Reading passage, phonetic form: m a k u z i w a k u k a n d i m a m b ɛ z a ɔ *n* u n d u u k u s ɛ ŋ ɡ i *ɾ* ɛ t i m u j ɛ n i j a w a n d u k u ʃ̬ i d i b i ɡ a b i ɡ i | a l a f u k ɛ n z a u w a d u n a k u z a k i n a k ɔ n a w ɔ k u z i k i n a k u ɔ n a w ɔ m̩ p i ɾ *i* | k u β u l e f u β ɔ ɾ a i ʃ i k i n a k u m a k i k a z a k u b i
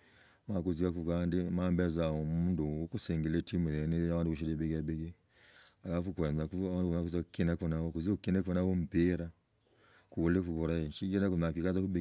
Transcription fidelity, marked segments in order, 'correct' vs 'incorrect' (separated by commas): incorrect, incorrect, incorrect